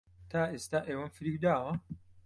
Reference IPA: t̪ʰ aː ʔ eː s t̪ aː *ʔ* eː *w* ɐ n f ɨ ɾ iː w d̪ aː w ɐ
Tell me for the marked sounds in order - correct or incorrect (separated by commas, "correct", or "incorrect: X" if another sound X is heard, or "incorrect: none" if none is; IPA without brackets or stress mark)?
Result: correct, correct